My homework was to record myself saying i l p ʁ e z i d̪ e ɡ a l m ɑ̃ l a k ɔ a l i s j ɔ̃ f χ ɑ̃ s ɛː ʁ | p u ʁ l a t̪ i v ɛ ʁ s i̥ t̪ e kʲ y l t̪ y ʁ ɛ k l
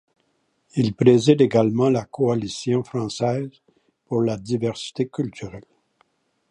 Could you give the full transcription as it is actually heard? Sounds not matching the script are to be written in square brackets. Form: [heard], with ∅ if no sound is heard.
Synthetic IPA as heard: i l p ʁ e z i d̪ e ɡ a l m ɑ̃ l a k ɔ a l i s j ɔ̃ f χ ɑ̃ s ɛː [z] | p u ʁ l a [d̪] i v ɛ ʁ s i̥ t̪ e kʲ y l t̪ y ʁ ɛ [∅] l